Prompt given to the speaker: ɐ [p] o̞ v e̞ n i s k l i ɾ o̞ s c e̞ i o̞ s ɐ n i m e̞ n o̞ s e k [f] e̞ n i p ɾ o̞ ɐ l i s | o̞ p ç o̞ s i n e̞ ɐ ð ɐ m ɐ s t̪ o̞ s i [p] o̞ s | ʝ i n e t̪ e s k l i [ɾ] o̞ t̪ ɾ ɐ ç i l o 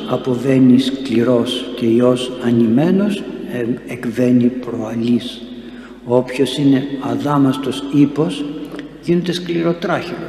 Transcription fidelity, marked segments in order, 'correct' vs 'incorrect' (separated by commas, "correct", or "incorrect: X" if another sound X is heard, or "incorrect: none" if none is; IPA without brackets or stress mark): correct, incorrect: v, correct, correct